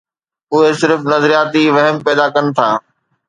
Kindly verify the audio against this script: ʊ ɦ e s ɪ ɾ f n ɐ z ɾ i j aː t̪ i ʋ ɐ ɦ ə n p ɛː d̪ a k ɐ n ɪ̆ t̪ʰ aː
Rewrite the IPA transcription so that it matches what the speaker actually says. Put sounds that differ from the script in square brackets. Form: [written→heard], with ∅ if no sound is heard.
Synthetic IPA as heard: ʊ ɦ e s ɪ ɾ f n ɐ z ɾ i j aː t̪ i ʋ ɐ ɦ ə [n→m] p ɛː d̪ a k ɐ n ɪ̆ t̪ʰ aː